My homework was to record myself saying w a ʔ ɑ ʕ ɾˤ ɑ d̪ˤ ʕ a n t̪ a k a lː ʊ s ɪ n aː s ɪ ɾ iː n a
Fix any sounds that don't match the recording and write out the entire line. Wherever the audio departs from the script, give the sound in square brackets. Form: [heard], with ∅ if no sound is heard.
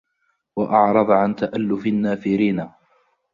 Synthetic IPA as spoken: w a ʔ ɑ ʕ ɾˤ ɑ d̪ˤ ʕ a n t̪ a [ʔ] a lː ʊ [f] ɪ [nː] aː [f] ɪ ɾ iː n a